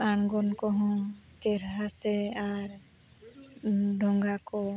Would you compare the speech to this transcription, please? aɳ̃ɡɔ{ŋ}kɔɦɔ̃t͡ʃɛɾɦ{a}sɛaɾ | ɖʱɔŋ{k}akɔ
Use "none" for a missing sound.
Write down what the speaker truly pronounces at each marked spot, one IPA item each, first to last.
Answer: n, a, ɡ

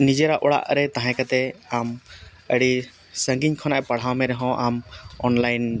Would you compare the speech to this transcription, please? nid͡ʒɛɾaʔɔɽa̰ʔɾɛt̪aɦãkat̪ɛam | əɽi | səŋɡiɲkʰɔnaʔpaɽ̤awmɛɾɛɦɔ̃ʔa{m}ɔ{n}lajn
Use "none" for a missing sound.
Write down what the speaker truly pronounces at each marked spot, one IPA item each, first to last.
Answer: m, n

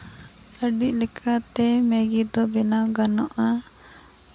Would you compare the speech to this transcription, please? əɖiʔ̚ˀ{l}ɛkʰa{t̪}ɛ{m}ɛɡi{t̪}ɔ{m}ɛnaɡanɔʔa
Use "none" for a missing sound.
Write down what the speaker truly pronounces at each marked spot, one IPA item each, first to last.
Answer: l, t̪, m, d̪, b

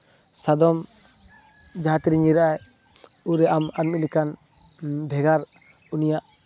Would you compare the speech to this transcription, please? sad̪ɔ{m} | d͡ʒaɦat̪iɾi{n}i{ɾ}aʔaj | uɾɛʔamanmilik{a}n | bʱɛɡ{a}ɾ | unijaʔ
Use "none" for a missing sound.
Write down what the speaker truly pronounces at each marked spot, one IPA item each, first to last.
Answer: m, ɲ, ɾ, a, a

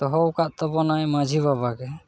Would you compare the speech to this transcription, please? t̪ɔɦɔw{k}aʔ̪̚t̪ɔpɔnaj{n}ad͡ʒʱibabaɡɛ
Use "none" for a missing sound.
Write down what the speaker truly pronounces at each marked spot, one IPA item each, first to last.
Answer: k, m

